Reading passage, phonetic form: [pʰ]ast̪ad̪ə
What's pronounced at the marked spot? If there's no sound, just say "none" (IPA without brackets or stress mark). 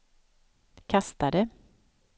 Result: kʰ